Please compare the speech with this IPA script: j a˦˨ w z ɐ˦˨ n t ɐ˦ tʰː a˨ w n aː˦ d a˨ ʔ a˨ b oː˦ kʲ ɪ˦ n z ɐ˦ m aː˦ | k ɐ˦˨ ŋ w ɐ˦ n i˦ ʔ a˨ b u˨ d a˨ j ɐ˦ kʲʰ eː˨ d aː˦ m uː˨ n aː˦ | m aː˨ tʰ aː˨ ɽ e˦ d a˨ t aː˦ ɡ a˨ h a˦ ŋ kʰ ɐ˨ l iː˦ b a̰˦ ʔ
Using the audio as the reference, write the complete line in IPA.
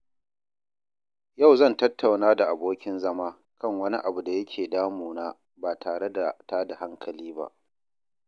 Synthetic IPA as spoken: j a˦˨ w z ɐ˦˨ n t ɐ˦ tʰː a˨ w n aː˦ d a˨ ʔ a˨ b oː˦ kʲ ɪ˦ n z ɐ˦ m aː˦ | k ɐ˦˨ ŋ w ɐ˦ n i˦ ʔ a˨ b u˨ d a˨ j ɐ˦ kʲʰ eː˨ d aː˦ m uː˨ n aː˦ | b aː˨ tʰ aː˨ ɽ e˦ d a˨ t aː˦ d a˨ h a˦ ŋ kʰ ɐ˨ l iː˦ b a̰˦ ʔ